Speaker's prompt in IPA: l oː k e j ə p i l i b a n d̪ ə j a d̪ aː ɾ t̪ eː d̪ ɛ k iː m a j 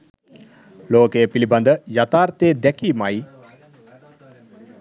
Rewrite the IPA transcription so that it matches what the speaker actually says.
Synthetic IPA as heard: l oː k e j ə p i l i b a n d̪ ə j a t̪ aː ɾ t̪ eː d̪ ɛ k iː m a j